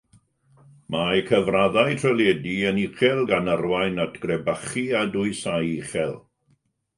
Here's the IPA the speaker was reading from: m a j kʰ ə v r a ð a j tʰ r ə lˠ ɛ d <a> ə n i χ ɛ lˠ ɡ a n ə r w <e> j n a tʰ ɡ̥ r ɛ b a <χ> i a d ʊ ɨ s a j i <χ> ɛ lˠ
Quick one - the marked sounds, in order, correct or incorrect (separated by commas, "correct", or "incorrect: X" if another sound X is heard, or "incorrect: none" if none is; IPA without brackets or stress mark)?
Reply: incorrect: i, incorrect: a, correct, correct